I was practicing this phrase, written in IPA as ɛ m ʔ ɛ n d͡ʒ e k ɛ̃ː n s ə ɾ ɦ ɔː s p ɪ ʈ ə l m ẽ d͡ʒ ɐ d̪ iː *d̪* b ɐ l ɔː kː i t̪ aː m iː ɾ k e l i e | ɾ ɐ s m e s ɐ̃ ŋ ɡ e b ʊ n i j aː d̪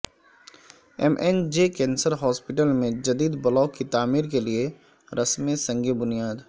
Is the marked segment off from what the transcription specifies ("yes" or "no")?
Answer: no